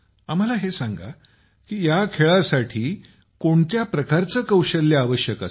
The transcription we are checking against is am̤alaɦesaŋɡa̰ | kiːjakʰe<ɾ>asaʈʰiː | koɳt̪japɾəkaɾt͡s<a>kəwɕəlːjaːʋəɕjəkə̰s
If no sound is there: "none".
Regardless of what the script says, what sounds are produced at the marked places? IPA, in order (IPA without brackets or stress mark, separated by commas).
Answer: ɭ, ə